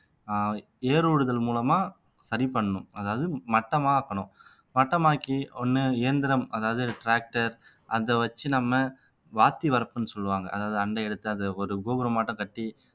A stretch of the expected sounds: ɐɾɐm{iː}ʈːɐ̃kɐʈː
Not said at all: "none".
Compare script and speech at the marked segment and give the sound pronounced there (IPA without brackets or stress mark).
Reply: aː